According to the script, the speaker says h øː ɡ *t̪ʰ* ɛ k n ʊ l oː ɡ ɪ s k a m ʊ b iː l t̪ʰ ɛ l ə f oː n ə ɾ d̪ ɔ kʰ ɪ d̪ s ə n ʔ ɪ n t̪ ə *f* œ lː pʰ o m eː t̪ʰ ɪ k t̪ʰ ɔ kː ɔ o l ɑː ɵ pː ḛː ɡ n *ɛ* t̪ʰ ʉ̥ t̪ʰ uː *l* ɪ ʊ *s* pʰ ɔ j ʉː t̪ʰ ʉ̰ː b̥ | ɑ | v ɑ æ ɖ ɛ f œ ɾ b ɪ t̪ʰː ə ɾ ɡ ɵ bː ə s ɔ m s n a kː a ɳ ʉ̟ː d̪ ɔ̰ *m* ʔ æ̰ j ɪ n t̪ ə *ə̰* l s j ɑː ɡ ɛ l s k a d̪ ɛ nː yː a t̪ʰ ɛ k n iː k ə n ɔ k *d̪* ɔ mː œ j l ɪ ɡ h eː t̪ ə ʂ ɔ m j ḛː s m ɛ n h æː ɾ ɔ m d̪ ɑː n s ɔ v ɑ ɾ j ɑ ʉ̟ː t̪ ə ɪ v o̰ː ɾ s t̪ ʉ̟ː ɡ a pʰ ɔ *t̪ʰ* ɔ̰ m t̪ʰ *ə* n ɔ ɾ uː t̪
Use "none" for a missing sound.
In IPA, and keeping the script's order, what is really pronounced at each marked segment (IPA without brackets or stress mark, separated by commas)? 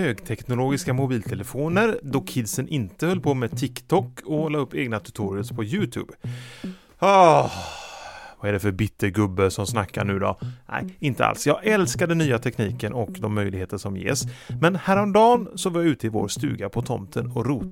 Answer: t̪ʰ, h, a, ɾ, s, n, a̰, d̪, t̪ʰ, ə